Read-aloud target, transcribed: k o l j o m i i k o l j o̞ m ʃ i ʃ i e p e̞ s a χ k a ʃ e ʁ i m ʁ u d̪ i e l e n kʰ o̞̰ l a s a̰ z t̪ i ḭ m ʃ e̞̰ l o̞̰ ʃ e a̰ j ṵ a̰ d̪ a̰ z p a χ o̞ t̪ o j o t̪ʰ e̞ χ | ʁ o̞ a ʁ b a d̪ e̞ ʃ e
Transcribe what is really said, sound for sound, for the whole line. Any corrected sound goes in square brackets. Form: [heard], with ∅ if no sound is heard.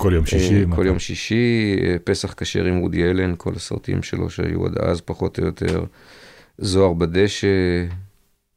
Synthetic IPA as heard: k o l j o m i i k o l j o̞ m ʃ i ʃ i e p e̞ s a χ k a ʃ e ʁ i m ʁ u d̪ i e l e n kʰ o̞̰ l a s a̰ [ʁ] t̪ i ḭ m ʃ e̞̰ l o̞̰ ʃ e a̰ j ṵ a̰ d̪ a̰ z p a χ o̞ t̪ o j o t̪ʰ e̞ [ʁ] | [z] o̞ a ʁ b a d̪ e̞ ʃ e